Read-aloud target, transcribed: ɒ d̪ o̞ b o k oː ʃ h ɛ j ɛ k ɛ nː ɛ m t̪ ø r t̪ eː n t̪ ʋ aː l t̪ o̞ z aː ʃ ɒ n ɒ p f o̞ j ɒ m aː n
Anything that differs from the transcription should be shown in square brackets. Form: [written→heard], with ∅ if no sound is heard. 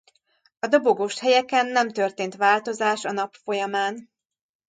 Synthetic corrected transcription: ɒ d̪ o̞ b o [k→ɡ] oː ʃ h ɛ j ɛ k ɛ nː ɛ m t̪ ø r t̪ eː n t̪ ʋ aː l t̪ o̞ z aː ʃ ɒ n ɒ p f o̞ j ɒ m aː n